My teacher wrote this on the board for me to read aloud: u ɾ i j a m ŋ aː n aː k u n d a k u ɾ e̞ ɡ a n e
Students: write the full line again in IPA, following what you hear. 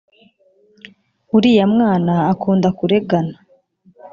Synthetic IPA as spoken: u ɾ i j a m ŋ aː n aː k uː n d a k u ɾ e̞ ɡ a n a